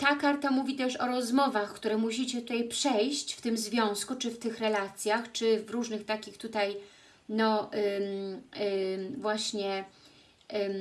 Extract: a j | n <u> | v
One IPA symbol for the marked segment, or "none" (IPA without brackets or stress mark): ɔ